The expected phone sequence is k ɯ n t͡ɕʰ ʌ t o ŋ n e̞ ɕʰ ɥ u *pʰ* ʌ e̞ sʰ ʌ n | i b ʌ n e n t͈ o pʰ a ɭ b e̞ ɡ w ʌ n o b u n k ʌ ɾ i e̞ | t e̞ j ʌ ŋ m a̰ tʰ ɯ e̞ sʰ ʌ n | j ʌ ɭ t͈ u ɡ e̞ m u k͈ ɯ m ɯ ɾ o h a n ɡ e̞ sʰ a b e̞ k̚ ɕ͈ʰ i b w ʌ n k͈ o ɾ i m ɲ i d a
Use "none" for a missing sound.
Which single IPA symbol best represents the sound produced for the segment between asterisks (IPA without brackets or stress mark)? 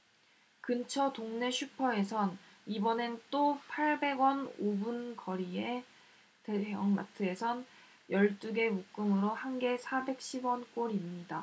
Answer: pʰ